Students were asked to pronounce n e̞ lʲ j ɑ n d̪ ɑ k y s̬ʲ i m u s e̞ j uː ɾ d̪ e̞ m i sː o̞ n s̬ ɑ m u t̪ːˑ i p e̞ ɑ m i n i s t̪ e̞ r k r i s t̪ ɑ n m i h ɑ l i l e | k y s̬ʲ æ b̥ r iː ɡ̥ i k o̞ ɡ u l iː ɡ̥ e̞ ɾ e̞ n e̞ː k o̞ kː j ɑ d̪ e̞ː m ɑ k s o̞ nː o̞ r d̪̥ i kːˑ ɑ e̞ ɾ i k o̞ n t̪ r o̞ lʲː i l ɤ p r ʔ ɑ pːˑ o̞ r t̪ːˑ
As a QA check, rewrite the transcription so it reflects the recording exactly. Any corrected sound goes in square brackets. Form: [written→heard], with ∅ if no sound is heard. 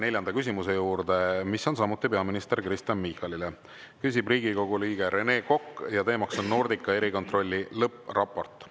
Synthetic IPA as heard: n e̞ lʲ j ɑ n d̪ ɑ k y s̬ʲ i m u s e̞ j uː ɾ d̪ e̞ m i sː o̞ n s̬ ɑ m u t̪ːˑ i p e̞ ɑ m i n i s t̪ e̞ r k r i s t̪ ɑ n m i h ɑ l i l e | k y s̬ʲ [æ→i] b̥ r iː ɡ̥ i k o̞ ɡ u l iː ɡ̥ e̞ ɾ e̞ n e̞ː k o̞ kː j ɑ [d̪→t̪] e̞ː m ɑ k s o̞ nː o̞ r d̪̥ i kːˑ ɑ e̞ ɾ i k o̞ n t̪ r o̞ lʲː i l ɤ p r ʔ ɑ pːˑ o̞ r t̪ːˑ